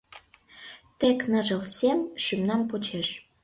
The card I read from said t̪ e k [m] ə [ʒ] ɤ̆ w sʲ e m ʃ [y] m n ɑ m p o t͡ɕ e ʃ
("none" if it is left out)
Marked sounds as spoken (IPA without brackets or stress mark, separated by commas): n, ʒ, y